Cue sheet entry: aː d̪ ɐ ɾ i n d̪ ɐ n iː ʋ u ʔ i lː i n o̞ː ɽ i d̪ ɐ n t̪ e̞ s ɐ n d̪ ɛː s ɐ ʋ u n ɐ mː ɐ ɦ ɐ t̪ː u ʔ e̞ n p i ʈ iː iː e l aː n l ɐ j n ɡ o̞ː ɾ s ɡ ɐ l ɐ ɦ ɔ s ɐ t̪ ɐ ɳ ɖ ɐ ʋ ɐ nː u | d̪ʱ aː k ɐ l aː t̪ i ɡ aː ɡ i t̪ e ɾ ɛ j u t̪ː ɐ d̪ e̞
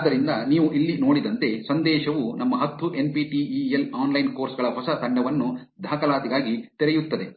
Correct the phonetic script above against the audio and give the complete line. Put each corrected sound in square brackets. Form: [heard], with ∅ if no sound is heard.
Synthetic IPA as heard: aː d̪ ɐ ɾ i n d̪ ɐ n iː ʋ u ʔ i lː i n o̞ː ɽ i d̪ ɐ n t̪ e̞ s ɐ n d̪ ɛː [ʃ] ɐ ʋ u n ɐ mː ɐ ɦ ɐ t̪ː u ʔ e̞ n p i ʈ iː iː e l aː n l ɐ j n [k] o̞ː ɾ s ɡ ɐ [ɭ] ɐ ɦ ɔ s ɐ t̪ ɐ ɳ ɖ ɐ ʋ ɐ nː u | d̪ʱ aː k ɐ l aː t̪ i ɡ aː ɡ i t̪ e ɾ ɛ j u t̪ː ɐ d̪ e̞

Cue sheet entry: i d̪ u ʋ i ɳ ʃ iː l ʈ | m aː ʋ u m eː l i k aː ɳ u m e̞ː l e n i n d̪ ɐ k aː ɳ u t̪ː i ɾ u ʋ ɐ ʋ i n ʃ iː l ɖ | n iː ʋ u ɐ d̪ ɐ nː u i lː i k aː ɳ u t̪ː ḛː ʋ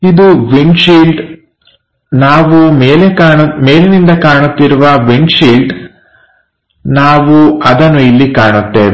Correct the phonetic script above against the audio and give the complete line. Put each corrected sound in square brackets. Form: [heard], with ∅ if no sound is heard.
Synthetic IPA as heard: i d̪ u ʋ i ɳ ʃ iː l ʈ | [n] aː ʋ u m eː l [e] k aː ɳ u m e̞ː l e n i n d̪ ɐ k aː ɳ u t̪ː i ɾ u ʋ ɐ ʋ i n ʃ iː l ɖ | n [aː] ʋ u ɐ d̪ ɐ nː u i lː i k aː ɳ u t̪ː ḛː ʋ

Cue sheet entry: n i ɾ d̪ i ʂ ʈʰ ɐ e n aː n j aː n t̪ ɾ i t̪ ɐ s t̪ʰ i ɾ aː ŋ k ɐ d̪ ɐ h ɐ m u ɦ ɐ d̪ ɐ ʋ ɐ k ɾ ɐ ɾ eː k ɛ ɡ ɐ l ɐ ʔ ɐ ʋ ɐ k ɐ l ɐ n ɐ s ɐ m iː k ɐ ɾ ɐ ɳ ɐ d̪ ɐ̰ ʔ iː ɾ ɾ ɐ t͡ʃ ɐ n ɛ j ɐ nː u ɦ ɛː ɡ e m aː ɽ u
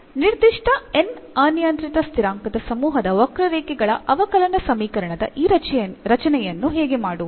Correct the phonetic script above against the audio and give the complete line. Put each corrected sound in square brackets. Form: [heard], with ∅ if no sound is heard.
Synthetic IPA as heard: n i ɾ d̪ i ʂ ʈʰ ɐ e n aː n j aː n t̪ ɾ i t̪ ɐ s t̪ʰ i ɾ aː ŋ k ɐ d̪ ɐ [s] ɐ m [uː] ɦ ɐ d̪ ɐ ʋ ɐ k ɾ ɐ ɾ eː k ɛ ɡ ɐ [ɭ] ɐ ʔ ɐ ʋ ɐ k ɐ l ɐ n ɐ s ɐ m iː k ɐ ɾ ɐ ɳ ɐ d̪ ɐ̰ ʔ iː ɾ ɾ ɐ t͡ʃ ɐ n ɛ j ɐ nː u ɦ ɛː ɡ e m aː ɽ u

